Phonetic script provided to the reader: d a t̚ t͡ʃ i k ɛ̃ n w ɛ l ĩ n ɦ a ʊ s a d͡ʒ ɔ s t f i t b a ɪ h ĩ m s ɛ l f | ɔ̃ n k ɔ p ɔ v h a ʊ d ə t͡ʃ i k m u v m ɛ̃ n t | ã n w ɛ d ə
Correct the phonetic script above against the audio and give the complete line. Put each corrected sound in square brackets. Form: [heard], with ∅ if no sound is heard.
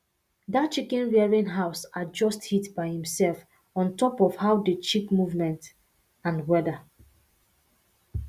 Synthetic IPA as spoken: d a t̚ t͡ʃ i k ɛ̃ n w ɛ [ɹ] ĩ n ɦ a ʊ s a d͡ʒ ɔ s t [h] i t b a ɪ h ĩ m s ɛ l f | ɔ̃ n [t] ɔ p ɔ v h a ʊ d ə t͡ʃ i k m u v m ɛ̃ n t | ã n w ɛ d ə